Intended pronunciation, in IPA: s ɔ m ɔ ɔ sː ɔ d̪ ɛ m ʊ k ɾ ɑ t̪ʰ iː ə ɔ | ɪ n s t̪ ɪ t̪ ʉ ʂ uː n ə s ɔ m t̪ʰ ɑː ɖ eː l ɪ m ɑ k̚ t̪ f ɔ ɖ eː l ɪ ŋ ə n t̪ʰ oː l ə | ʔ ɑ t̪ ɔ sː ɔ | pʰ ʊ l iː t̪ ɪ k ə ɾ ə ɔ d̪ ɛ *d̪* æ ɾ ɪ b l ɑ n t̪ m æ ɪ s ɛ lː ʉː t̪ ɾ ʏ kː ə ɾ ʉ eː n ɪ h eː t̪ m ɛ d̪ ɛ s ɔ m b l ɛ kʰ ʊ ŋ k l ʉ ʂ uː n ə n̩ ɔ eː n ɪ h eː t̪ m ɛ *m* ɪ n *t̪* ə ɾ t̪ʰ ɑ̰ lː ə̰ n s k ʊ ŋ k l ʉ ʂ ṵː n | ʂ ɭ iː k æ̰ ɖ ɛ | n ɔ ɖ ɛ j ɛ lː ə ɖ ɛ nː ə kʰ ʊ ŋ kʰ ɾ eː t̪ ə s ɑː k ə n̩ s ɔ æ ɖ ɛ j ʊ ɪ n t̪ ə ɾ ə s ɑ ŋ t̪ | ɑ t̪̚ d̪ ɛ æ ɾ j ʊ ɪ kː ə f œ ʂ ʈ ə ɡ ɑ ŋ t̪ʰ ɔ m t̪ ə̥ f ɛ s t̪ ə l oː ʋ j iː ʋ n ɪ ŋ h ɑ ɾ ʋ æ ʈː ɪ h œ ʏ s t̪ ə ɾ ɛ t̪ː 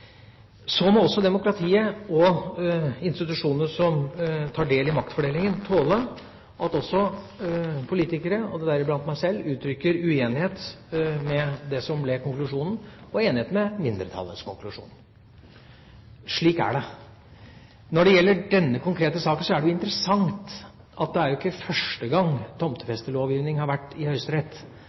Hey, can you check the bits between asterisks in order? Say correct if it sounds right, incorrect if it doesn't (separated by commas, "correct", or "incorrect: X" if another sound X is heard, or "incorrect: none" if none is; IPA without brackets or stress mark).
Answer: correct, correct, incorrect: d̪